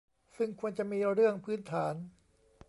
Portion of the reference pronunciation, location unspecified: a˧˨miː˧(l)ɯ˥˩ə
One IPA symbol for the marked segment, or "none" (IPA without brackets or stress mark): ɾ